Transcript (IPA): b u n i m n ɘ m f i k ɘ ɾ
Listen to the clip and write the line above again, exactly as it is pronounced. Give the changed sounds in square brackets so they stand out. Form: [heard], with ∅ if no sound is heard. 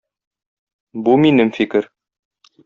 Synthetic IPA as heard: b u [m] i [∅] n ɘ m f i k ɘ ɾ